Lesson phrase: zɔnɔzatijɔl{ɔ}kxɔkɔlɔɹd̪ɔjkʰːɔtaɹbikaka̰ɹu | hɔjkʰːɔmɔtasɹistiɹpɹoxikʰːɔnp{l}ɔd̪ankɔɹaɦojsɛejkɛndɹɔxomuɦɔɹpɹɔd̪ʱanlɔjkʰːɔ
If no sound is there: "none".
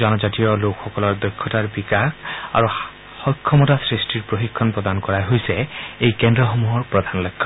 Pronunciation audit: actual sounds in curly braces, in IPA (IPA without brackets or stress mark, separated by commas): o, ɹ